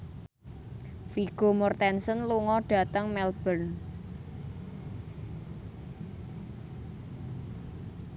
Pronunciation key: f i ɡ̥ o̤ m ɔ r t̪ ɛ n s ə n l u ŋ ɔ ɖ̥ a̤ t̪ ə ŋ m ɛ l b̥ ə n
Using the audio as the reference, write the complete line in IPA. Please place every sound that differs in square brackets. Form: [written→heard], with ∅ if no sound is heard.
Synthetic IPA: f i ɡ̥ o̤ m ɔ r t̪ ɛ n s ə n l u ŋ ɔ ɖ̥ a̤ t̪ ə ŋ m ɛ l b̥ ə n